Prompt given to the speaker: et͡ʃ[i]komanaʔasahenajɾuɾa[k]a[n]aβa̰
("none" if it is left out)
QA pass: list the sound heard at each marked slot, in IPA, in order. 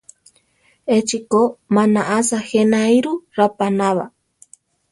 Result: i, p, n

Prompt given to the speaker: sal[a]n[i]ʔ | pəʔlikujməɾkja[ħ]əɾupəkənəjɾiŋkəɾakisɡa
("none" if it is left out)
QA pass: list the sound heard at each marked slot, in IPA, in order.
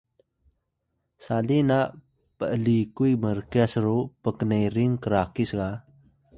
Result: i, a, s

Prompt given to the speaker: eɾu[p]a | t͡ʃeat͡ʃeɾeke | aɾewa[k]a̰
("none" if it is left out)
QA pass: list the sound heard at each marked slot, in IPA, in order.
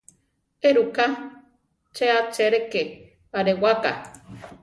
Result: k, k

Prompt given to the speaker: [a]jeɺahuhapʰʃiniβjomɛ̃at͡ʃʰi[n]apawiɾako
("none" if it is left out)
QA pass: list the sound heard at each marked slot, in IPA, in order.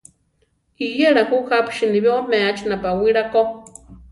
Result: i, n

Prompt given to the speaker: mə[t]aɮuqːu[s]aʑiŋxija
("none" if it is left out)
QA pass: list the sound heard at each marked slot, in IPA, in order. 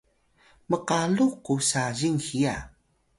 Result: q, s

